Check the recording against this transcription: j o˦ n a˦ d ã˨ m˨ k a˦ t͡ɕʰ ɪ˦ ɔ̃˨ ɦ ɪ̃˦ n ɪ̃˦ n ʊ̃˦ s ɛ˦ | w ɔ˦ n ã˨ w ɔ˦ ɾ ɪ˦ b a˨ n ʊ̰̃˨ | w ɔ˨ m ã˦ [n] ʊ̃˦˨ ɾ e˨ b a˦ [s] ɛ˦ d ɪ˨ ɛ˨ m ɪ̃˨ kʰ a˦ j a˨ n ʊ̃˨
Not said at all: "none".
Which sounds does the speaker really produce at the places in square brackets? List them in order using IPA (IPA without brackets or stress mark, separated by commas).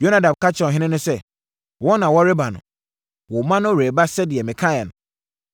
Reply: n, s